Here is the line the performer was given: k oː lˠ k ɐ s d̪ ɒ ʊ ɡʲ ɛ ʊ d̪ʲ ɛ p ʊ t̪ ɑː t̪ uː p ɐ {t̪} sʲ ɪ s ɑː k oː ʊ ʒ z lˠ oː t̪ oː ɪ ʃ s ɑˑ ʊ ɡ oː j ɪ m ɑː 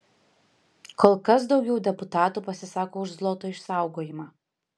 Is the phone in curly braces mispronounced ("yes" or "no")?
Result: yes